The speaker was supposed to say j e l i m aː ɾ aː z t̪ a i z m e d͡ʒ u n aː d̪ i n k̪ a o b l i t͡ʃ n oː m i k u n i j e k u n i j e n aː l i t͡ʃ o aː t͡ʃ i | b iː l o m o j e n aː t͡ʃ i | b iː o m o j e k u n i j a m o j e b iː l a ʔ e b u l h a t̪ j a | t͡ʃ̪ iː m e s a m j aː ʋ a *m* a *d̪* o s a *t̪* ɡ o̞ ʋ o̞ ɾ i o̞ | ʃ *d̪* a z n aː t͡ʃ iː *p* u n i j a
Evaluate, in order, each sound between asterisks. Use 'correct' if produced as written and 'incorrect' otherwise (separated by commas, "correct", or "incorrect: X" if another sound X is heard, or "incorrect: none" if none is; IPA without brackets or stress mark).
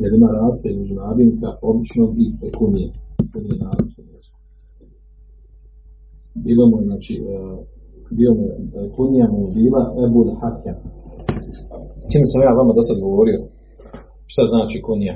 correct, correct, incorrect: d̪, incorrect: t̪, incorrect: k